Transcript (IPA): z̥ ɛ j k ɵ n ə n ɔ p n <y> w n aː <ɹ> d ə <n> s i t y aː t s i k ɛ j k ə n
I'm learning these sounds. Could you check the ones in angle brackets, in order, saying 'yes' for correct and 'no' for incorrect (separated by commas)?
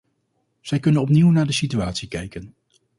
no, yes, no